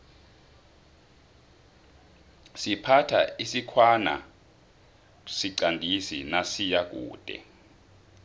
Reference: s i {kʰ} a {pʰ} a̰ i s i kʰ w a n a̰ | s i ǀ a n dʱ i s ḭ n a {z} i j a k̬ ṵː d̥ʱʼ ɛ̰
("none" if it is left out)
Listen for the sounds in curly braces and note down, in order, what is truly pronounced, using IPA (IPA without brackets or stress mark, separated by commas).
pʰ, tʰ, s